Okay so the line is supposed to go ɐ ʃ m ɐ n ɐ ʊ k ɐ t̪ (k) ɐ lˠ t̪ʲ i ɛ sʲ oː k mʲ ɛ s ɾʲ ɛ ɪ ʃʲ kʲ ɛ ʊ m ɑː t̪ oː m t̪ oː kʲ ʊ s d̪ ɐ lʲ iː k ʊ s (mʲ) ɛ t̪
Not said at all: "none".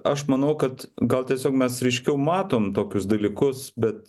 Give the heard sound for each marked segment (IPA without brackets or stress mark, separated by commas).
ɡ, bʲ